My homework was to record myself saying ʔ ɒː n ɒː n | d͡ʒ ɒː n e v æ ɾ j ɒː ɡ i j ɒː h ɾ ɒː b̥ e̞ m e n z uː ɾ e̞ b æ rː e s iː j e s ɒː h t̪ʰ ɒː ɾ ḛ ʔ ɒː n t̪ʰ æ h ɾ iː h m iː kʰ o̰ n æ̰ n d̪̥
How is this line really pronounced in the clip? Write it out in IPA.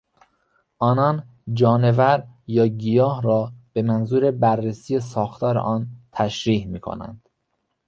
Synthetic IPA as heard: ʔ ɒː n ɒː n | d͡ʒ ɒː n e v æ ɾ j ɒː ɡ i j ɒː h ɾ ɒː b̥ e̞ m æ n z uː ɾ e̞ b æ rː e s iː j e s ɒː x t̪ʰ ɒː ɾ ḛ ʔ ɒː n t̪ʰ æ ʃ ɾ iː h m iː kʰ o̰ n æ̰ n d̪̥